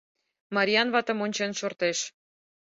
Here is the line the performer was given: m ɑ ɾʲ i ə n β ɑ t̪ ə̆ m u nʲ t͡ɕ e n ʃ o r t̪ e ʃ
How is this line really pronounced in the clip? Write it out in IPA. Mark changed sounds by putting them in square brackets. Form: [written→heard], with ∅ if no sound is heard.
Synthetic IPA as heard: m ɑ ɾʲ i [ə→ɑ] n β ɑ t̪ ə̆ m [u→o] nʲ t͡ɕ e n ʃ o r t̪ e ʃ